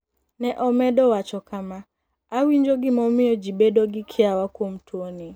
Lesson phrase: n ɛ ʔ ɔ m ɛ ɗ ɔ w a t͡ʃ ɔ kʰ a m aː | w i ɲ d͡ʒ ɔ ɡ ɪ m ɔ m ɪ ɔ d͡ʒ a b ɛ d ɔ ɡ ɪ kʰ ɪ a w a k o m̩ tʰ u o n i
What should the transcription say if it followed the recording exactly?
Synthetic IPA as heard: n ɛ ʔ ɔ m ɛ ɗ ɔ w a t͡ʃ ɔ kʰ a m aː | w i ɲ d͡ʒ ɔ ɡ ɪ m ɔ m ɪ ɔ d͡ʒ i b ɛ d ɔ ɡ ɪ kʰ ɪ a w a k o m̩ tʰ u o n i